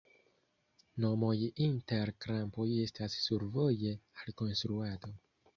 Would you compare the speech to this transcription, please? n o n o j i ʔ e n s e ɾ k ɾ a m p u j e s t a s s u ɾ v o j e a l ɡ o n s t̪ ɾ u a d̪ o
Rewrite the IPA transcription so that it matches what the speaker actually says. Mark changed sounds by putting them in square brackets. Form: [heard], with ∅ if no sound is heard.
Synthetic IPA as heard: n o [m] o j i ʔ [i] n [t] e ɾ k ɾ a m p [o] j e s t a s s u ɾ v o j e a l [k] o n s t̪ ɾ u a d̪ o